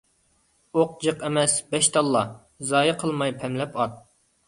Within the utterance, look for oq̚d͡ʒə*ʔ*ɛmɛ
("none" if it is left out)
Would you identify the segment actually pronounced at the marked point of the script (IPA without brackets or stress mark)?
q